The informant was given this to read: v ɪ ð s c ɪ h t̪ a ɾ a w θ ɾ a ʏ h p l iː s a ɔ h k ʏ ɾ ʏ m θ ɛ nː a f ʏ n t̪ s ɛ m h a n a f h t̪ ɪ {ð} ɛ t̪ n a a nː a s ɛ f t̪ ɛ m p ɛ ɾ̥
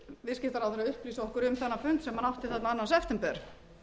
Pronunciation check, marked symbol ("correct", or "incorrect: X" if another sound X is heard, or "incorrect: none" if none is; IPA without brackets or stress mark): incorrect: θ